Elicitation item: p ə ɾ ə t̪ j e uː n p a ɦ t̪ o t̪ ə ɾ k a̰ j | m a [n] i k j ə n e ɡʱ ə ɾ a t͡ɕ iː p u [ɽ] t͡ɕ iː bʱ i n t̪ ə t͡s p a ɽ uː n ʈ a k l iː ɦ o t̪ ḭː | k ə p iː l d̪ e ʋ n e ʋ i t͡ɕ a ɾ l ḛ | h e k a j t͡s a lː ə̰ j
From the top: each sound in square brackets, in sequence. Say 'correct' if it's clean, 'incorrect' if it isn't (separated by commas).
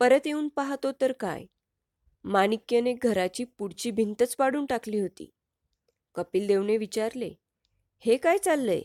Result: correct, correct